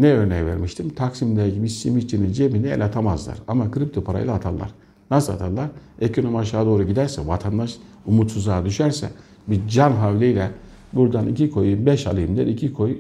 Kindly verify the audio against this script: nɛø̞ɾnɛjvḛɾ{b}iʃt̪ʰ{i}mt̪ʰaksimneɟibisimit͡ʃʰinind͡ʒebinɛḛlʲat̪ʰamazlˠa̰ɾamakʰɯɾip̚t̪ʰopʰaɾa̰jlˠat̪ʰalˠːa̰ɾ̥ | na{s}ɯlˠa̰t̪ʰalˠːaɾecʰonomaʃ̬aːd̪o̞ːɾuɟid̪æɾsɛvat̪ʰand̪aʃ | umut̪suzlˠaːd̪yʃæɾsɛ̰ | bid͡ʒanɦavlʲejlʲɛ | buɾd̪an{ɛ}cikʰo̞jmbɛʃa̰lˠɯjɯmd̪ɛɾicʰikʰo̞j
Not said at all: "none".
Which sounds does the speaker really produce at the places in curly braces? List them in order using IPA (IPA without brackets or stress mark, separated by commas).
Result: m, i, s, i